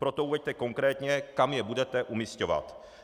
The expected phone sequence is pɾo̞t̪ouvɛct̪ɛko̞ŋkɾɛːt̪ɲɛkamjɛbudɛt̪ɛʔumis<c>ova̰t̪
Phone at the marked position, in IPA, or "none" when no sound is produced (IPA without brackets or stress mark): c